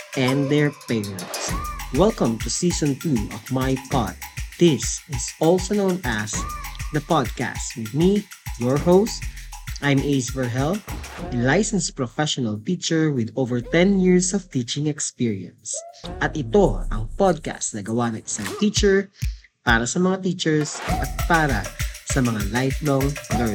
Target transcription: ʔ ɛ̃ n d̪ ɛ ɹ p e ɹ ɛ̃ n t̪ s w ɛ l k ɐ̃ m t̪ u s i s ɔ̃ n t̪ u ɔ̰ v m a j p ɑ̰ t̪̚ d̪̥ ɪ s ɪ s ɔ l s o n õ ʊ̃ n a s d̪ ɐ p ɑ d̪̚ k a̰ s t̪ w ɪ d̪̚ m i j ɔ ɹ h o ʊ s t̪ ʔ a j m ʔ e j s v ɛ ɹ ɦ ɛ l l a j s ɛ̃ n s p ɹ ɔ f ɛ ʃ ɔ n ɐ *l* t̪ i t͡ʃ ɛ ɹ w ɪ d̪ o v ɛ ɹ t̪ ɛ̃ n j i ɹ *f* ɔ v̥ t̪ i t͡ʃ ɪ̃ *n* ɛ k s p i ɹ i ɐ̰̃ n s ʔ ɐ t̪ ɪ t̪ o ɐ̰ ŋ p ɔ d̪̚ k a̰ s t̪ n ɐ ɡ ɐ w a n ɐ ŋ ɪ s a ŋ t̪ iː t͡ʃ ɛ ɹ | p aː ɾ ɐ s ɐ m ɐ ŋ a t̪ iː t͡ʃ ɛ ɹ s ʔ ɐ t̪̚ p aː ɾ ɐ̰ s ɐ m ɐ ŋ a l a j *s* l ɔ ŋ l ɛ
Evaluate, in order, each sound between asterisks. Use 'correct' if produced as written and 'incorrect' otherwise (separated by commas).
correct, incorrect, incorrect, incorrect